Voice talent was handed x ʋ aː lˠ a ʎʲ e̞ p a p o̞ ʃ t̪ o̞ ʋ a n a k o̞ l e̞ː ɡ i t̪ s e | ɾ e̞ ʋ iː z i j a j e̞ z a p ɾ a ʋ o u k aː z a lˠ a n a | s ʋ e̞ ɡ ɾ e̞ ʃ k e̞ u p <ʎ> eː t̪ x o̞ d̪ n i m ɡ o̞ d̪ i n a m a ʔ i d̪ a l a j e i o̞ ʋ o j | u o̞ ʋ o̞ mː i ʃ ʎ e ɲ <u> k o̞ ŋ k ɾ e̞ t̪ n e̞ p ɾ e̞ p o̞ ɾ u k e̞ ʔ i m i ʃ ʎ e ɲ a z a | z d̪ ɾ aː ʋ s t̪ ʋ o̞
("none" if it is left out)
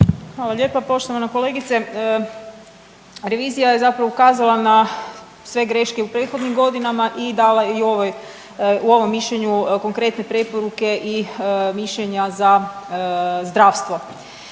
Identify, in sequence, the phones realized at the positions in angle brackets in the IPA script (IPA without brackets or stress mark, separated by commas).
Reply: ɾ, u